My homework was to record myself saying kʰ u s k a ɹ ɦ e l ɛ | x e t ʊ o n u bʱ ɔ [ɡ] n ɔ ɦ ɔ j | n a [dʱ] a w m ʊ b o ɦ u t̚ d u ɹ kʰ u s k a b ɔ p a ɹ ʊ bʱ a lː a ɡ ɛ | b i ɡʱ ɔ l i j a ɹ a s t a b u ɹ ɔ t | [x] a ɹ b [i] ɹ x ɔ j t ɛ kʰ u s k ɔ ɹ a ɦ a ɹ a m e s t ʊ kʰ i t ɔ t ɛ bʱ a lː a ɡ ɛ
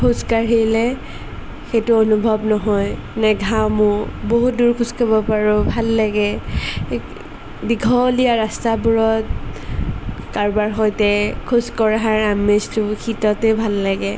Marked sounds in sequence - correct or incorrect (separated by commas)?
incorrect, incorrect, incorrect, incorrect